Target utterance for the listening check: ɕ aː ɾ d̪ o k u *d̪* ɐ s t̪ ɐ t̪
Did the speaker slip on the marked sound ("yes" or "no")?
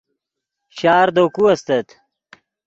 yes